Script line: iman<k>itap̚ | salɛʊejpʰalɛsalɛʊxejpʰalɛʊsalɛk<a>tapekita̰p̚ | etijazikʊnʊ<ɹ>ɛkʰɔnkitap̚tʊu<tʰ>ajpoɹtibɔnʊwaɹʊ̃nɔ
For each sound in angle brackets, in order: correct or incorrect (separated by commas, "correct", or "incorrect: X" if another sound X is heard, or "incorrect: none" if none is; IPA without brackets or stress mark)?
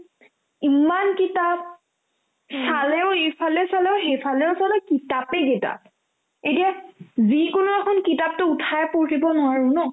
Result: correct, incorrect: i, incorrect: none, correct